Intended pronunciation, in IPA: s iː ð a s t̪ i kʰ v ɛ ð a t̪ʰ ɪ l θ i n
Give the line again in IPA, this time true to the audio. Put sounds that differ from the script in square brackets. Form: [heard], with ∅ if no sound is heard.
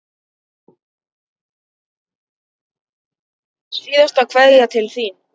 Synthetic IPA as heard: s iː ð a s t̪ [a] kʰ v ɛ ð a t̪ʰ ɪ l θ i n